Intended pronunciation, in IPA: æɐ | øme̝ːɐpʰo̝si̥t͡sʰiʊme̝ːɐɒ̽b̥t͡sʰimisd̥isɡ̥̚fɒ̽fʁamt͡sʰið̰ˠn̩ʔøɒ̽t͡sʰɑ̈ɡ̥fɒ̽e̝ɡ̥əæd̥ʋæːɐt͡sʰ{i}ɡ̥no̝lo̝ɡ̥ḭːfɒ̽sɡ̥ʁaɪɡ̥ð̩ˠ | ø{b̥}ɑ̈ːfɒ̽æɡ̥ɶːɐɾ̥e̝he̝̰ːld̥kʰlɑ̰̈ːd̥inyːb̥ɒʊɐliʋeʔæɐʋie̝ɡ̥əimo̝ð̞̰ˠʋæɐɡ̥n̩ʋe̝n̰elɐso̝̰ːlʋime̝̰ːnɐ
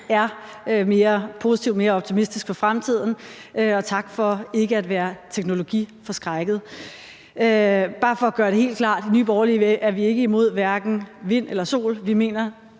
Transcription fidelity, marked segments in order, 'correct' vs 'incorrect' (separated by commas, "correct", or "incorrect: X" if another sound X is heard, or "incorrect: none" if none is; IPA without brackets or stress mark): incorrect: e, correct